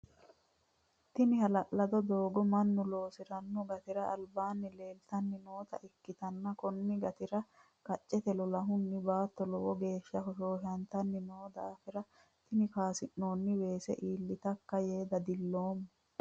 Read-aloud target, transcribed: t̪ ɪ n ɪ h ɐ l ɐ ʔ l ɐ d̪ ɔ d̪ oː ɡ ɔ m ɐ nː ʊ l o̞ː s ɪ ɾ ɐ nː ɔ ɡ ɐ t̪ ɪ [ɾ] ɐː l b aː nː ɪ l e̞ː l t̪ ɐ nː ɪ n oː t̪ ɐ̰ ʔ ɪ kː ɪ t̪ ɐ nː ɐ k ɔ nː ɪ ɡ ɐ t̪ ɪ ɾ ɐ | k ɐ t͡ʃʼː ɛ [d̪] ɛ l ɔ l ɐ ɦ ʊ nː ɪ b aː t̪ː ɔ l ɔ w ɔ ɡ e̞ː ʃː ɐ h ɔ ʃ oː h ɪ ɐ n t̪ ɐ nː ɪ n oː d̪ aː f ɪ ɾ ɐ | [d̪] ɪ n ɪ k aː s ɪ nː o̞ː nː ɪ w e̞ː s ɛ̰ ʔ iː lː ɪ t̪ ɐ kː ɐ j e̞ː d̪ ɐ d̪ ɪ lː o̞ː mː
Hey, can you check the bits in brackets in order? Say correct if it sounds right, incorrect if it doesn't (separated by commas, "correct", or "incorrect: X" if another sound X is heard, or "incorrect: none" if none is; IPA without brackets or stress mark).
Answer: correct, incorrect: t̪, incorrect: t̪